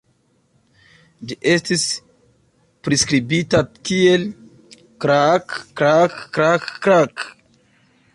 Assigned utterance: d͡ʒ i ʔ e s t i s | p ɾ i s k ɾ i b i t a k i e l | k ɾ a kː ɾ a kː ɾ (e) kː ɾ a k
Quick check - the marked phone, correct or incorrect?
incorrect